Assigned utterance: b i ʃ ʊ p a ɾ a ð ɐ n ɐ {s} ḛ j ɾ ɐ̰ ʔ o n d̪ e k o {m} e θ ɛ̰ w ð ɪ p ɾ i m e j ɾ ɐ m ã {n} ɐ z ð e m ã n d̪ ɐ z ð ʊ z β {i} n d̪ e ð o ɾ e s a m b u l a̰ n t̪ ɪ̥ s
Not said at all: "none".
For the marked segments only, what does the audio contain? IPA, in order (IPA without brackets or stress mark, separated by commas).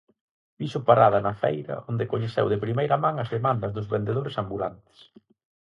f, ɲ, ŋ, e